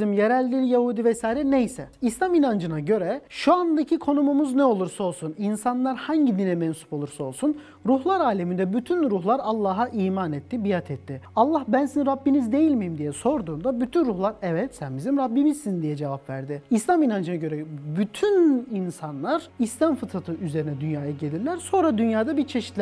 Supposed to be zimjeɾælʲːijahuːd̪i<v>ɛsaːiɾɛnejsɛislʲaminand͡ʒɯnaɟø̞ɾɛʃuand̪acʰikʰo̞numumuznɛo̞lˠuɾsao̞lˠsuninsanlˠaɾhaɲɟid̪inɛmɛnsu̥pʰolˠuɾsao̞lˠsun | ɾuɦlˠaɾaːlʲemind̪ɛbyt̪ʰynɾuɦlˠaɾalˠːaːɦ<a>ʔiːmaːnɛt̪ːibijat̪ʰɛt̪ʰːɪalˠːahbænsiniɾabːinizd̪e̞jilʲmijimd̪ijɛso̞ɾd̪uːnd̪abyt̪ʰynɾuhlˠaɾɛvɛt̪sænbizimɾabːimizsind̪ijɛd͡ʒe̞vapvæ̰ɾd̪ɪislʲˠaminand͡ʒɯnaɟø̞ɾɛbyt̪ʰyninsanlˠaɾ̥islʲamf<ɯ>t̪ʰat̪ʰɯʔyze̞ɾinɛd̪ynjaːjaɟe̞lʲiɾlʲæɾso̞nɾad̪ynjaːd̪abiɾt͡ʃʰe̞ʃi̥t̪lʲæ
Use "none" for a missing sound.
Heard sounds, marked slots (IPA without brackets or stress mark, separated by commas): v, a, ɯ